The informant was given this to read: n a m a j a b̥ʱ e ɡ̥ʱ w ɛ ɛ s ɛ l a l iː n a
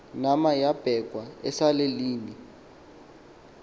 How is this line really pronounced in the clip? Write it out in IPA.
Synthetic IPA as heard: n a m a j a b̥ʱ ɛ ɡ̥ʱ w a ɛ s a l e l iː n i